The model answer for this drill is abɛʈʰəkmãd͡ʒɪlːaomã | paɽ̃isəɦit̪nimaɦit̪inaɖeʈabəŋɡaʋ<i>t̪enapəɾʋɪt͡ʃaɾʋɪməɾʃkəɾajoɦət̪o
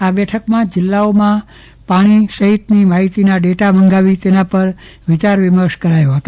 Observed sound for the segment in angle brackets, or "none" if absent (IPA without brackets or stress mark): i